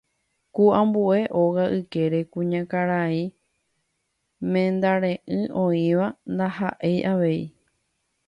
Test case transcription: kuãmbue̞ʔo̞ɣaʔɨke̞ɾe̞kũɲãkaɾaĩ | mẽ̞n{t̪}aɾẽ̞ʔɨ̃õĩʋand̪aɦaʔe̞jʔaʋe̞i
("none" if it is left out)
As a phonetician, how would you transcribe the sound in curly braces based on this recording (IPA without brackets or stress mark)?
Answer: d̪